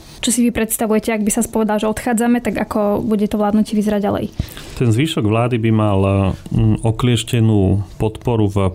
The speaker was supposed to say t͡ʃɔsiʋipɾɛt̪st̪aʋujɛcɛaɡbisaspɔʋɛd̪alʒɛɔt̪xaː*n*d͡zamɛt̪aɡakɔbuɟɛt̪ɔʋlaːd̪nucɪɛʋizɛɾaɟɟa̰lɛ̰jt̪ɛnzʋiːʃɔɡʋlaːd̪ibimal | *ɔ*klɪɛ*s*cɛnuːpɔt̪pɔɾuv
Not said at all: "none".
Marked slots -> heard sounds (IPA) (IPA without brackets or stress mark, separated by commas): none, ɔ, ʃ